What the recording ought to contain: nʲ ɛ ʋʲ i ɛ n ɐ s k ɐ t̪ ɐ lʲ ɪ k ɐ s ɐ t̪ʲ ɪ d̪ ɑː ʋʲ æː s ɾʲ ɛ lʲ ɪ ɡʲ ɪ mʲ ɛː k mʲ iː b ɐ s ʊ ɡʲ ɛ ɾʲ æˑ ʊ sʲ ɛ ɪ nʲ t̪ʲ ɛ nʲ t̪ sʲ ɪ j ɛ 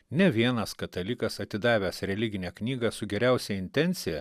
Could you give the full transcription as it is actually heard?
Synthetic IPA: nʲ ɛ ʋʲ i ɛ n ɐ s k ɐ t̪ ɐ lʲ ɪ k ɐ s ɐ t̪ʲ ɪ d̪ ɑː ʋʲ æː s ɾʲ ɛ lʲ ɪ ɡʲ ɪ nʲ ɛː k nʲ iː ɡ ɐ s ʊ ɡʲ ɛ ɾʲ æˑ ʊ sʲ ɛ ɪ nʲ t̪ʲ ɛ nʲ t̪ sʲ ɪ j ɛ